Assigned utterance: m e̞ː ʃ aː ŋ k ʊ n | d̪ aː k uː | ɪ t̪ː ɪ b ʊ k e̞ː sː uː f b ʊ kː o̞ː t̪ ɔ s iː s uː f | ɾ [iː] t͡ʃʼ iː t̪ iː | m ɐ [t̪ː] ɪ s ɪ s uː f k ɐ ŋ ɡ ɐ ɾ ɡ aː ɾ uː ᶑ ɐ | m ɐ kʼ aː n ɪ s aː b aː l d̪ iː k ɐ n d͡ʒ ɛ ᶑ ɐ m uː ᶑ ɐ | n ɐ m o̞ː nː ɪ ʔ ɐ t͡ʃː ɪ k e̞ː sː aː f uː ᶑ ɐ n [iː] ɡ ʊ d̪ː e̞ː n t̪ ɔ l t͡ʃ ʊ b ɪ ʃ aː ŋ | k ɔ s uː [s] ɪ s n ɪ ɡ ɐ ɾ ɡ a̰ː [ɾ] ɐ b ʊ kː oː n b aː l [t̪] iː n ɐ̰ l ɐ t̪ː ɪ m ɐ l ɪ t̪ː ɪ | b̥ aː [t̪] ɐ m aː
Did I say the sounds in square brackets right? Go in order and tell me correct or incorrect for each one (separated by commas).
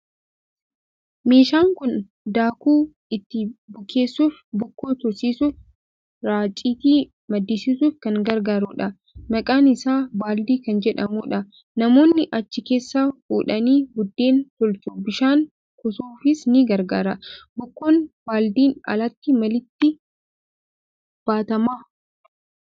incorrect, incorrect, correct, incorrect, correct, incorrect, correct